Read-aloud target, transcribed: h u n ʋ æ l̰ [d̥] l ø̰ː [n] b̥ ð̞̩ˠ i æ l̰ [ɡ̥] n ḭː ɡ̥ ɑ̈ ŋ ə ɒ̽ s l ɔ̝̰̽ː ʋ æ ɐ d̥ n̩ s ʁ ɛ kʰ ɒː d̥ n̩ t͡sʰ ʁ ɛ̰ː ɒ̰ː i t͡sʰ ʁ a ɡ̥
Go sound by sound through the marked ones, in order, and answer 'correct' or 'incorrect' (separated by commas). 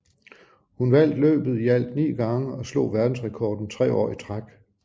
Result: correct, incorrect, incorrect